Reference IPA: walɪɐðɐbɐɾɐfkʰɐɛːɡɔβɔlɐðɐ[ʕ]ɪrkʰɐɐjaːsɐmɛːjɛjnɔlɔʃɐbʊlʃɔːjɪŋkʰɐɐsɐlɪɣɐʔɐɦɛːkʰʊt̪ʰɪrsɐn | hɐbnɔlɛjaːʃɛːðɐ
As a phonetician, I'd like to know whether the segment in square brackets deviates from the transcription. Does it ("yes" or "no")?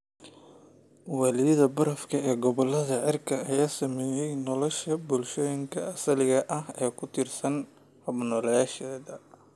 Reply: no